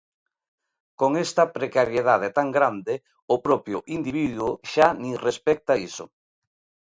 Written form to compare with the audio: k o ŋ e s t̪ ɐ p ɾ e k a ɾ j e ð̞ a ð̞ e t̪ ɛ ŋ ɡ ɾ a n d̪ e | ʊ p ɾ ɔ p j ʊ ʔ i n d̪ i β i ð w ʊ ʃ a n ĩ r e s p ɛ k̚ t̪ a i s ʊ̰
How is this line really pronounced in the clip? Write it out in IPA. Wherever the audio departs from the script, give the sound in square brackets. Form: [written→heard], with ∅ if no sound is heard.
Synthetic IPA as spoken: k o ŋ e s t̪ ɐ p ɾ e k a ɾ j e ð̞ a ð̞ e t̪ [ɛ→a] ŋ ɡ ɾ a n d̪ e | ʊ p ɾ ɔ p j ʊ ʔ i n d̪ i β i ð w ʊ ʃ a n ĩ r e s p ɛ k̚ t̪ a i s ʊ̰